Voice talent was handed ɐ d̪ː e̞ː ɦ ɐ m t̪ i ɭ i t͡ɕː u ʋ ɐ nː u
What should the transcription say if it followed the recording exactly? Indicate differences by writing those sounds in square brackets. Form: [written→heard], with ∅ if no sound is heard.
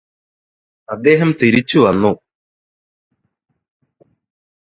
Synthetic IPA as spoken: ɐ d̪ː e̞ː ɦ ɐ m t̪ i [ɭ→ɾ] i t͡ɕː u ʋ ɐ nː u